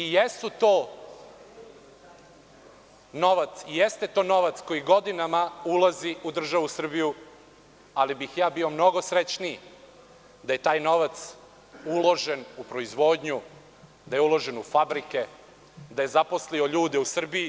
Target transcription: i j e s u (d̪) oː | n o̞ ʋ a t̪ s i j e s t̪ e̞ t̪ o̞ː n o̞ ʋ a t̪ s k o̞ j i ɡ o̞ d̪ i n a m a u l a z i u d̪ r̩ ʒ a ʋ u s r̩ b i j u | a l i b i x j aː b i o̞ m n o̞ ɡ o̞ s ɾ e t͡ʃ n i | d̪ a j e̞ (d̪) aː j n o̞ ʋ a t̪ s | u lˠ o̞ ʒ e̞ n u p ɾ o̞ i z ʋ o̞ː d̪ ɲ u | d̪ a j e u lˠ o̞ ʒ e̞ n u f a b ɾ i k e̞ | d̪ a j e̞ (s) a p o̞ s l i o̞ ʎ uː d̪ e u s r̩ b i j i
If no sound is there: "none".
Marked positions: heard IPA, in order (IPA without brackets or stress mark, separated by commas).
t̪, t̪, z